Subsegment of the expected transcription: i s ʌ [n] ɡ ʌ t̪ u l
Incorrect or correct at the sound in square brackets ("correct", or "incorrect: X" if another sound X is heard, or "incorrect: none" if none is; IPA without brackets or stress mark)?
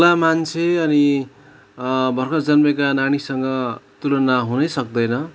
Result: incorrect: ŋ